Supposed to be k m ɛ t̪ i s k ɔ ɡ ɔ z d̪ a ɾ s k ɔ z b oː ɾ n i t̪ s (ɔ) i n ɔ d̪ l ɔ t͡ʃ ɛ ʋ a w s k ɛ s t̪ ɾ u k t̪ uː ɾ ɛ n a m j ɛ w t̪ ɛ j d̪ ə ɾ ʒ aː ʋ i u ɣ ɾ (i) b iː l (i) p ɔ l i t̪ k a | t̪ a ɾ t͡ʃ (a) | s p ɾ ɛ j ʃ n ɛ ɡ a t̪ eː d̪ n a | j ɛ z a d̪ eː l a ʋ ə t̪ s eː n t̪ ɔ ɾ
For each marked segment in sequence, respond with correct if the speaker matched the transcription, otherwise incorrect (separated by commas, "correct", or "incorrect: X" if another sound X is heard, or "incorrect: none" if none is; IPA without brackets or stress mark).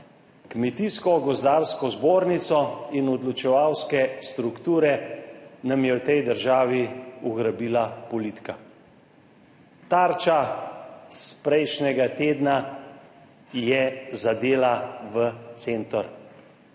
correct, incorrect: a, incorrect: a, correct